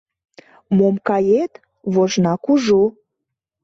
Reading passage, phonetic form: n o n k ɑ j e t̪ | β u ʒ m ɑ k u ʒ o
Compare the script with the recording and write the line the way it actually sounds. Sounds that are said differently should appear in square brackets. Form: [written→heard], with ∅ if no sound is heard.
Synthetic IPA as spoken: [n→m] o [n→m] k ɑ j e t̪ | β [u→o] ʒ [m→n] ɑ k u ʒ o